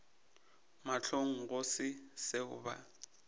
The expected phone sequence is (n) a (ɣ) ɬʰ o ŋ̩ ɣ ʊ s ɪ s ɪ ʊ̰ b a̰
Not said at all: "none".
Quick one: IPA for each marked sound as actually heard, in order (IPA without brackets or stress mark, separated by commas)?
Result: m, none